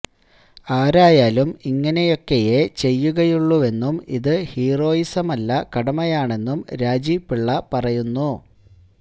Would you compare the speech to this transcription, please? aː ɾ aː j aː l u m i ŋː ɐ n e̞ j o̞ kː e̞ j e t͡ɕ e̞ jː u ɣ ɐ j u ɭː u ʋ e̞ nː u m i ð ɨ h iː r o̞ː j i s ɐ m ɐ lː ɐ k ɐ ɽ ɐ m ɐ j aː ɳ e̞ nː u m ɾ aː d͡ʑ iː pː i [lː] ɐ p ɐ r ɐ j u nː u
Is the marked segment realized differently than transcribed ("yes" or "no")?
yes